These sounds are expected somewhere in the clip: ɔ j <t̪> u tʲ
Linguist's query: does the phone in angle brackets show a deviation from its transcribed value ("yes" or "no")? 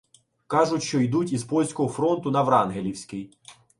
yes